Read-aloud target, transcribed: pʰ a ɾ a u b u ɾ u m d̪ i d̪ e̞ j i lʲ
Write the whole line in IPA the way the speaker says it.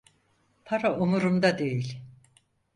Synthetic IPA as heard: pʰ a ɾ a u m u ɾ u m d̪ a d̪ e̞ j i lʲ